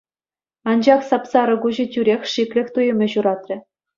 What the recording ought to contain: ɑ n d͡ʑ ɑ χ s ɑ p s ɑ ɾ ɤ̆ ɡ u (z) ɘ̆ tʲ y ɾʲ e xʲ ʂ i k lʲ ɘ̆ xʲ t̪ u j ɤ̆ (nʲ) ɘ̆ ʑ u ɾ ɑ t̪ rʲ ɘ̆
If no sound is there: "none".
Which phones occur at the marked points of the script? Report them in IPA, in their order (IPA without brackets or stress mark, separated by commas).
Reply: ʑ, mʲ